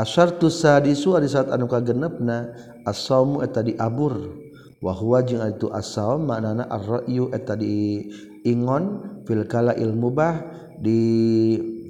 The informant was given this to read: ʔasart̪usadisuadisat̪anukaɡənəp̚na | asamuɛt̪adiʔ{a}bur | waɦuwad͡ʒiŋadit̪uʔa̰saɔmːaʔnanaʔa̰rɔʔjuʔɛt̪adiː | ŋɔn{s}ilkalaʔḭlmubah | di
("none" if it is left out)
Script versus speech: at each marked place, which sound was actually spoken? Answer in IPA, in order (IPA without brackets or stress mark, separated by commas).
a, f